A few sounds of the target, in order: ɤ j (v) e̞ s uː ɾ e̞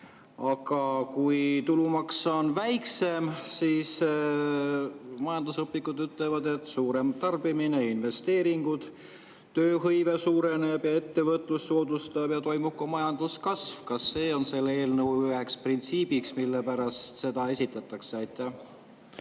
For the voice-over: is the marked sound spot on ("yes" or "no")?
yes